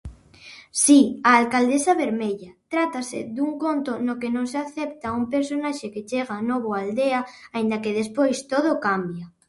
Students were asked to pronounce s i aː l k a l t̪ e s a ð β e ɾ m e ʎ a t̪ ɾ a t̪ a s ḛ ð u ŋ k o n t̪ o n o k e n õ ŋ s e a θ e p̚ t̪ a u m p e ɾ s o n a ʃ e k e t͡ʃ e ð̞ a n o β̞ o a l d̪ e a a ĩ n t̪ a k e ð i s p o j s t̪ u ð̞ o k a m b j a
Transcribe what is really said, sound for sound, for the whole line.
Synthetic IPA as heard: s i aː l k a l d̪ e s a β e ɾ m e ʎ a t̪ ɾ a t̪ a s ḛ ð u ŋ k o n t̪ o n o k e n õ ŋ s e a θ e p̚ t̪ a u m p e ɾ s o n a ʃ e k e t͡ʃ e ɣ̞ a n o β̞ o a l d̪ e a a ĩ n d̪ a k e ð e s p o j s t̪ o ð̞ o k a m b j a

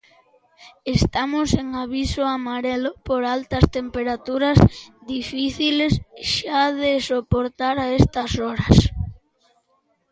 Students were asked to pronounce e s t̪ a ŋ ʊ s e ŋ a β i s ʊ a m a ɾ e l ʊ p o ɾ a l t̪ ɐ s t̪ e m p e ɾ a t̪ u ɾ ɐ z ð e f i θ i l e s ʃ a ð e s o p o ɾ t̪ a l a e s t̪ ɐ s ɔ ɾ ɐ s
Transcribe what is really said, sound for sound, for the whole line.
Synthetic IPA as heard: e s t̪ a m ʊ s e ŋ a β i s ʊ a m a ɾ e l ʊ p o ɾ a l t̪ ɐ s t̪ e m p e ɾ a t̪ u ɾ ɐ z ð i f i θ i l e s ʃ a ð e s o p o ɾ t̪ a ɾ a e s t̪ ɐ s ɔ ɾ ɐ s

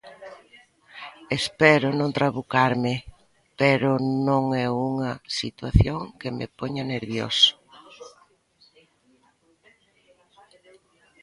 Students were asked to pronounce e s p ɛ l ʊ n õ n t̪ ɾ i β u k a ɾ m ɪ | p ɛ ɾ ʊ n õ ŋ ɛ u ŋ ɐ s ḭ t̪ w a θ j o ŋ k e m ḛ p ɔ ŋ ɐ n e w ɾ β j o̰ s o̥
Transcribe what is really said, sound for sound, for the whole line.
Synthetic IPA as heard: e s p ɛ ɾ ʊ n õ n t̪ ɾ a β u k a ɾ m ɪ | p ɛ ɾ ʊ n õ ŋ ɛ u ŋ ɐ s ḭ t̪ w a θ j o ŋ k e m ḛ p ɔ ɲ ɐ n e ɾ β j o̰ s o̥

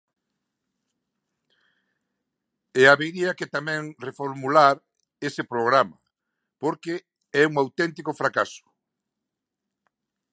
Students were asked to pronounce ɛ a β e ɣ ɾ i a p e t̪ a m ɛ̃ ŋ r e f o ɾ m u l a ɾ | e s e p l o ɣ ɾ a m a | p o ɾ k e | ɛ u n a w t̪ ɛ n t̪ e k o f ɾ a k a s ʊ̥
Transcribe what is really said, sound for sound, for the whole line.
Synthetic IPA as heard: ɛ a β e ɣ ɾ i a k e t̪ a m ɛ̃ ŋ r e f o ɾ m u l a ɾ | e s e p ɾ o ɣ ɾ a m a | p o ɾ k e | ɛ u ŋ a w t̪ ɛ n t̪ i k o f ɾ a k a s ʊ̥

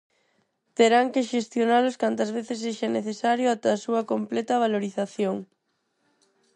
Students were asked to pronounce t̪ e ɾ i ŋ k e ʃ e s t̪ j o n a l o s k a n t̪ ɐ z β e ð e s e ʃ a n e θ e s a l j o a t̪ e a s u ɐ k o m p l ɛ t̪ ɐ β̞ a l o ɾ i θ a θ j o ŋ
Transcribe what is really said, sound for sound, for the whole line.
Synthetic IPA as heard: t̪ e ɾ a ŋ k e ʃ e s t̪ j o n a l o s k a n t̪ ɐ z β e θ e s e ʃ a n e θ e s a ɾ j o a t̪ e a s u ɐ k o m p l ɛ t̪ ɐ β̞ a l o ɾ i θ a θ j o ŋ

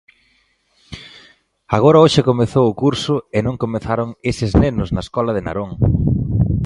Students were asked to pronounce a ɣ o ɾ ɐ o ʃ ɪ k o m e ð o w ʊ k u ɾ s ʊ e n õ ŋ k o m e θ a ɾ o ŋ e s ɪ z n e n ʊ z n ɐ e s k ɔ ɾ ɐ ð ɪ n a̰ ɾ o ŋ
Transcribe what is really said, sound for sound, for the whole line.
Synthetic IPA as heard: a ɣ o ɾ ɐ o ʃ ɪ k o m e θ o w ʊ k u ɾ s ʊ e n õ ŋ k o m e θ a ɾ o ŋ e s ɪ z n e n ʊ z n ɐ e s k ɔ l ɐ ð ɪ n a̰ ɾ o ŋ

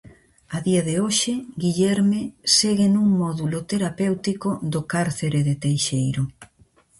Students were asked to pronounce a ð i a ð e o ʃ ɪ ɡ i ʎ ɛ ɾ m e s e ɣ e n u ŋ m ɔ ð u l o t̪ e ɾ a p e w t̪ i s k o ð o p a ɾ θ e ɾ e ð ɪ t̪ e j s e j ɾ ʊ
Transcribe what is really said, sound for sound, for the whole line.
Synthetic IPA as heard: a ð i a ð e o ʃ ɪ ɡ i ʎ ɛ ɾ m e s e ɣ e n u ŋ m ɔ ð u l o t̪ e ɾ a p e w t̪ i k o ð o k a ɾ θ e ɾ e ð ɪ t̪ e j ʃ e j ɾ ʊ

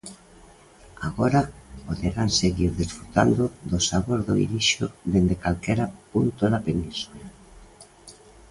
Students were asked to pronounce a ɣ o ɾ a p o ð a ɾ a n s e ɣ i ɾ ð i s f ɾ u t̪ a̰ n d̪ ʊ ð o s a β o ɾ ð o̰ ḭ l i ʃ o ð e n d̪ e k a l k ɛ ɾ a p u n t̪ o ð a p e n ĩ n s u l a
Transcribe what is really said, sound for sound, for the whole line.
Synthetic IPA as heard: a ɣ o ɾ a p o ð e ɾ a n s e ɣ i ɾ ð i s f ɾ u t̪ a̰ n d̪ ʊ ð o s a β o ɾ ð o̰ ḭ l i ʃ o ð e n d̪ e k a l k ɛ ɾ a p u n t̪ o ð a p e n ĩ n s u l a

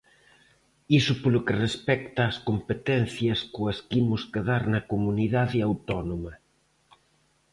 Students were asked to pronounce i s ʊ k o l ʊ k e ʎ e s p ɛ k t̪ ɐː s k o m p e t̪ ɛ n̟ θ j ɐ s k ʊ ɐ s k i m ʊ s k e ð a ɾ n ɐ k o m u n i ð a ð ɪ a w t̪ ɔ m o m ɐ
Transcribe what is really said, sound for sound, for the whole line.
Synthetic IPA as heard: i s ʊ p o l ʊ k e r e s p ɛ k t̪ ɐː s k o m p e t̪ ɛ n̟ θ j ɐ s k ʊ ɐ s k i m ʊ s k e ð a ɾ n ɐ k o m u n i ð a ð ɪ a w t̪ ɔ n o m ɐ

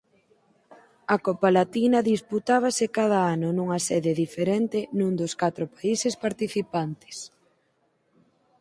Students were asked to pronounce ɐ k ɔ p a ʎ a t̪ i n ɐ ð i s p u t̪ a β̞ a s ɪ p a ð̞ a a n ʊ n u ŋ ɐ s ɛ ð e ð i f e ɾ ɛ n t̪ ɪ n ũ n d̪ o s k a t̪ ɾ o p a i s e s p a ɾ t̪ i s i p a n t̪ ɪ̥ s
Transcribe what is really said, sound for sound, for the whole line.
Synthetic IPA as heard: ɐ k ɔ p a l a t̪ i n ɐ ð i s p u t̪ a β̞ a s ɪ k a ð̞ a a n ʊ n u ŋ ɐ s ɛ ð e ð i f e ɾ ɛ n t̪ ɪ n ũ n d̪ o s k a t̪ ɾ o p a i s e s p a ɾ t̪ i θ i p a n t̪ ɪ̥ s

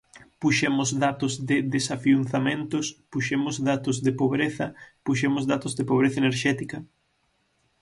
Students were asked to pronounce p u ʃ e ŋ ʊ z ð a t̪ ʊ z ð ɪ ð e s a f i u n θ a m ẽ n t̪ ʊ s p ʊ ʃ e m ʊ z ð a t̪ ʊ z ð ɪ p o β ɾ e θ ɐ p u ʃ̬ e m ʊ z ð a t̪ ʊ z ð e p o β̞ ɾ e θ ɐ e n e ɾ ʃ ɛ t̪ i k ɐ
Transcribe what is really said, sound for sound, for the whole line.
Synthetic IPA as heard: p u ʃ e m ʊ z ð a t̪ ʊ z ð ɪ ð e s a f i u n θ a m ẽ n t̪ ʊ s p u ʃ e m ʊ z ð a t̪ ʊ z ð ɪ p o β ɾ e θ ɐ p u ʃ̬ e m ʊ z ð a t̪ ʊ z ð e p o β̞ ɾ e θ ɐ e n e ɾ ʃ ɛ t̪ i k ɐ

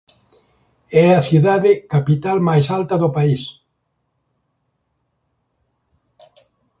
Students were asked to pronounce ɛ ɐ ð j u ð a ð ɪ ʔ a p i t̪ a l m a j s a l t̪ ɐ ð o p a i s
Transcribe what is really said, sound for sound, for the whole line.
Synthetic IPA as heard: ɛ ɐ θ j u ð a ð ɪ k a p i t̪ a l m a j s a l t̪ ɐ ð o p a i s

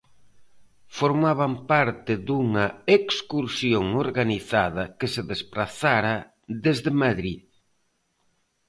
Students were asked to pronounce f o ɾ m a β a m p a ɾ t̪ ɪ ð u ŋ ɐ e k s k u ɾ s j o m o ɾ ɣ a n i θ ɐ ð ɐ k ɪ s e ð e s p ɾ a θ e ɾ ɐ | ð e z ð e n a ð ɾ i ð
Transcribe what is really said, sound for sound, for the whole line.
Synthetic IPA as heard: f o ɾ m a β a m p a ɾ t̪ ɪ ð u ŋ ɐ e k s k u ɾ s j o ŋ o ɾ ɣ a n i θ a ð ɐ k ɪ s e ð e s p ɾ a θ a ɾ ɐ | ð e z ð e m a ð ɾ i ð

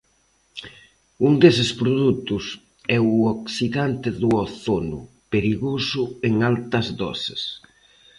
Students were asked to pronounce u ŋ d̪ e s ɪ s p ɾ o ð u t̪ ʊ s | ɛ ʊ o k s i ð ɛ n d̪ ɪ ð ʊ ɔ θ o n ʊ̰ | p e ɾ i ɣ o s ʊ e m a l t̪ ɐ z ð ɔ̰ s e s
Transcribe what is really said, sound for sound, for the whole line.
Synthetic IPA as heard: u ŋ d̪ e s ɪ s p ɾ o ð u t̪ ʊ s | ɛ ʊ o k s i ð a n t̪ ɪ ð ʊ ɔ θ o n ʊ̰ | p e ɾ i ɣ o s ʊ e ŋ a l t̪ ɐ z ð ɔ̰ s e s

